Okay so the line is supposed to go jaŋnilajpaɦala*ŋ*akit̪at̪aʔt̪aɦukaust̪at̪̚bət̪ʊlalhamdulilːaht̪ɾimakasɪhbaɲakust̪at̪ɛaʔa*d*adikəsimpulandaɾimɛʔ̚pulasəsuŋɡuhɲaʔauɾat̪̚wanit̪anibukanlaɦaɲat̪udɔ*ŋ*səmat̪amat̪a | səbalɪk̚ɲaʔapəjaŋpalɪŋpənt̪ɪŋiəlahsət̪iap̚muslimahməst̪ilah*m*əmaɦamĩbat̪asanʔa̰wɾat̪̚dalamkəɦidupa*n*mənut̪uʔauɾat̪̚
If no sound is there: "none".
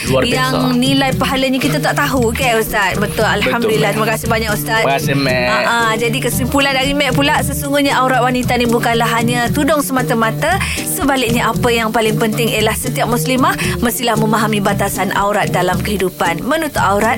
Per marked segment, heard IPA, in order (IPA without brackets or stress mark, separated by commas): ɲ, d͡ʒ, ŋ, m, n